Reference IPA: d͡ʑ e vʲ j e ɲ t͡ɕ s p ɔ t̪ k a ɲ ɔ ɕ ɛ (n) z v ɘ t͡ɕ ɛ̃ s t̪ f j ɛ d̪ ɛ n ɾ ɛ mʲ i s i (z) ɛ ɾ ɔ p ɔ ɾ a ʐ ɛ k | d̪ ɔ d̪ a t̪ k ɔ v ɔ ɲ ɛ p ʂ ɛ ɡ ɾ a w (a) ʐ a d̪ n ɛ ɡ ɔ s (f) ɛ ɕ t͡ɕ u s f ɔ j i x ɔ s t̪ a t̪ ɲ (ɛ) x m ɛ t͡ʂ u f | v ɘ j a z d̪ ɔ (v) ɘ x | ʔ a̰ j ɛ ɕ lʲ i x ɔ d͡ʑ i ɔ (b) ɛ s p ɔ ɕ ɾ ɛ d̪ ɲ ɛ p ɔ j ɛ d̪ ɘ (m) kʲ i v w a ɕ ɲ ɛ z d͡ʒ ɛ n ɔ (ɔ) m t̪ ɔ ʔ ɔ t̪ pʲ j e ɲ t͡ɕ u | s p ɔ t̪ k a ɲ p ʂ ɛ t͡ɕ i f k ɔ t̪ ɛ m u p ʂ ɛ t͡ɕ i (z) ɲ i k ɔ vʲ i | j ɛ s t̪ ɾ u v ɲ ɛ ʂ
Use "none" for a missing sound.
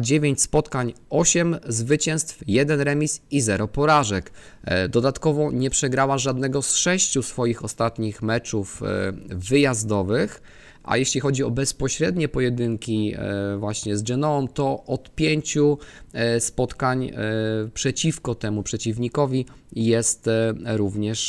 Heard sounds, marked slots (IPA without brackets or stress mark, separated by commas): m, z, a, ʂ, i, v, b, ŋ, ɔ, v